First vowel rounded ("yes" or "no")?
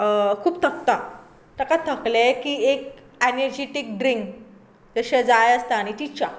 yes